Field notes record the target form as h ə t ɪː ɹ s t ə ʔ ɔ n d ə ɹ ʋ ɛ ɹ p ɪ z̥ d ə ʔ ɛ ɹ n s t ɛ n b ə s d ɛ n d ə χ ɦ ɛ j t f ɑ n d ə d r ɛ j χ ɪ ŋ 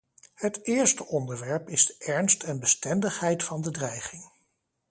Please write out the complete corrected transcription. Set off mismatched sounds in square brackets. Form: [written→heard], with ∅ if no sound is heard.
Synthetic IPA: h ə t ɪː ɹ s t ə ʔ ɔ n d ə ɹ ʋ ɛ ɹ p ɪ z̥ d ə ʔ ɛ ɹ n s t ɛ n b ə s [d→t] ɛ n d ə χ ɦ ɛ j t f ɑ n d ə d r ɛ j χ ɪ ŋ

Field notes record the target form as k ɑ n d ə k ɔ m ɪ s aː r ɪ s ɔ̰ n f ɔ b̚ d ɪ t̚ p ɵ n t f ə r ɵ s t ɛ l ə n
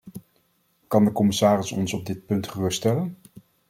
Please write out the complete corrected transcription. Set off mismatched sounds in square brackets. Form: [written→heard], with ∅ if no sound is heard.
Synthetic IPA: k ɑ n d ə k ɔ m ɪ s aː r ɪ s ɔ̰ n [f→s] ɔ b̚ d ɪ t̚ p ɵ n t [f→χ] ə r ɵ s t ɛ l ə n

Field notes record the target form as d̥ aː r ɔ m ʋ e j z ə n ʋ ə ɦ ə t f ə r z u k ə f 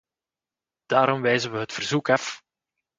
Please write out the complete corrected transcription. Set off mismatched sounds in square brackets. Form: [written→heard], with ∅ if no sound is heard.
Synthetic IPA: d̥ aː [r→ɾ] ɔ m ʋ [e→ɛ] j z ə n ʋ ə ɦ ə t f ə r z u k [ə→ɑ] f

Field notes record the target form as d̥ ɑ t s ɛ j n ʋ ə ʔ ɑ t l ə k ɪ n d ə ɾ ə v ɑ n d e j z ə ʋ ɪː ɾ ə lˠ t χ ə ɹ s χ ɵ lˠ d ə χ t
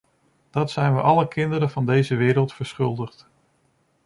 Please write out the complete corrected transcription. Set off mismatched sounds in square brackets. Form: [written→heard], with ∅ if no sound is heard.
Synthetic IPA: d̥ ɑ t s ɛ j n ʋ ə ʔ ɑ [t→∅] l ə k ɪ n d ə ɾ ə v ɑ n d e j z ə ʋ ɪː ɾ ə lˠ t [χ→f] ə ɹ s χ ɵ lˠ d ə χ t

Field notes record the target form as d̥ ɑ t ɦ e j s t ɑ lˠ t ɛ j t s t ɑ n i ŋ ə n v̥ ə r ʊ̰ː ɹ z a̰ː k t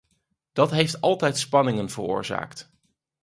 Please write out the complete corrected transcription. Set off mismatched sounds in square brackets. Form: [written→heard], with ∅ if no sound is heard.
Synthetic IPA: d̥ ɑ t ɦ e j [s→f] t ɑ lˠ t ɛ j t s [t→p] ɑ n [i→ɪ] ŋ ə n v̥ ə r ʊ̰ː ɹ z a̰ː k t

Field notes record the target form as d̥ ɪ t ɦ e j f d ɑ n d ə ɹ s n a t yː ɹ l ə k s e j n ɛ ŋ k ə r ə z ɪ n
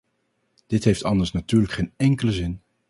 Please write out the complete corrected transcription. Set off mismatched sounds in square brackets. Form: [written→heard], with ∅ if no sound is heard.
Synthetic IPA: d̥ ɪ t ɦ e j f [d→t] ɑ n d ə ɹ s n a t yː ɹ l ə k [s→χ] e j n ɛ ŋ k ə [r→l] ə z ɪ n

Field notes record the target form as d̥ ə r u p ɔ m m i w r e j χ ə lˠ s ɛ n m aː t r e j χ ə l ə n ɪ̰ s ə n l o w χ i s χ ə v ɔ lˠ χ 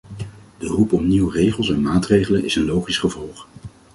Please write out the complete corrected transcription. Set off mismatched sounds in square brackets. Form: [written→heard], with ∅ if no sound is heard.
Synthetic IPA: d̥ ə r u p ɔ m [m→n] i w r e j χ ə lˠ s ɛ n m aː t r e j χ ə l ə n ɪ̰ s ə n l o w χ i s χ ə v ɔ lˠ χ

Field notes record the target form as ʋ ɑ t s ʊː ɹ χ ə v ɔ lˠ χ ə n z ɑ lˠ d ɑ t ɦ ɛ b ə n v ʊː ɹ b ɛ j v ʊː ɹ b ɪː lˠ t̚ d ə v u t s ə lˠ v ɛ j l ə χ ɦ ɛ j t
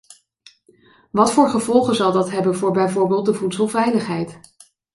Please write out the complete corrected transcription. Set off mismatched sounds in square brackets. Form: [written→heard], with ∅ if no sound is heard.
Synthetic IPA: ʋ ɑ t [s→f] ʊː ɹ χ ə v ɔ lˠ χ ə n z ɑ lˠ d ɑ t ɦ ɛ b ə n v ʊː ɹ b ɛ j v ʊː ɹ b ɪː lˠ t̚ d ə v u t s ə lˠ v ɛ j l ə χ ɦ ɛ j t

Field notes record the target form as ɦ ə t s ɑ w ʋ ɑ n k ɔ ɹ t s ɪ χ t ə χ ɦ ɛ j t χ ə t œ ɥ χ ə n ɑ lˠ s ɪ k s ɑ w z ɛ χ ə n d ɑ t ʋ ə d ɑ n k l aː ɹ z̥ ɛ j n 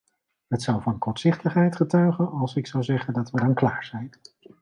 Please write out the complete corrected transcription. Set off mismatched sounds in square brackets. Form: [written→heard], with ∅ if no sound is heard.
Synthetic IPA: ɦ ə t s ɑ w [ʋ→v] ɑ n k ɔ ɹ t s ɪ χ t ə χ ɦ ɛ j t χ ə t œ ɥ χ ə n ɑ lˠ s ɪ k s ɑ w z ɛ χ ə n d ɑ t ʋ ə d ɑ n k l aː ɹ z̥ ɛ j n

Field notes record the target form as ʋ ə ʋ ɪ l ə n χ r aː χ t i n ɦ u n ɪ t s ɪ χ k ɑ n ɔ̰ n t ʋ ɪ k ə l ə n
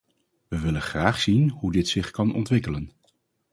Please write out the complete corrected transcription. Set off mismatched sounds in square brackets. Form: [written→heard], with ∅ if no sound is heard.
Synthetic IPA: ʋ ə ʋ ɪ l ə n χ r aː χ [t→s] i n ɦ u [n→d] ɪ t s ɪ χ k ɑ n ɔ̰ n t ʋ ɪ k ə l ə n

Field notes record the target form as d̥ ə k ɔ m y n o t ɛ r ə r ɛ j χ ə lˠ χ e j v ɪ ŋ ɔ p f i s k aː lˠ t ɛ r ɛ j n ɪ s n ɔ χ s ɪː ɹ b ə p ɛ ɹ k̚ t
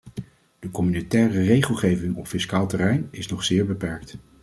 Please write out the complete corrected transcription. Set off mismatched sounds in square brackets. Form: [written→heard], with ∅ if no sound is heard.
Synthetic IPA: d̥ ə k ɔ m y n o t [ɛ→ɛː] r ə r [ɛ→e] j χ ə lˠ χ e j v ɪ ŋ ɔ p f [i→ɪ] s k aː lˠ t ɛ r ɛ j n ɪ s n ɔ χ s ɪː ɹ b ə p ɛ ɹ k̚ t

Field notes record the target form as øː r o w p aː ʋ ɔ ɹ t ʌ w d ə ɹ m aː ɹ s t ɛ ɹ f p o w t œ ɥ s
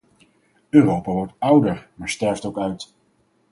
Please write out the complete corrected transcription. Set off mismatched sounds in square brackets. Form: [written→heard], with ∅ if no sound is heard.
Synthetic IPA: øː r o w p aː ʋ ɔ ɹ t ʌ w d ə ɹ m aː ɹ s t ɛ ɹ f [p→t] o w [t→k] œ ɥ [s→t]

